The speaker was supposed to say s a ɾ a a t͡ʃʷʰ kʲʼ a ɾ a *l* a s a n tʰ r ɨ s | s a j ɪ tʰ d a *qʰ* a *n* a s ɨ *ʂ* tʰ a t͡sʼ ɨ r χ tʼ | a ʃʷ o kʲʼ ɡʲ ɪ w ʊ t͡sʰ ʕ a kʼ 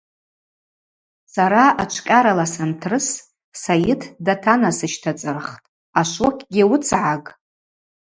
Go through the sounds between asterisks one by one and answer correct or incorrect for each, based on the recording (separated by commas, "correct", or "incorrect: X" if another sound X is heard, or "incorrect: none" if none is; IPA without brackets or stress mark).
correct, incorrect: tʰ, correct, incorrect: ʃ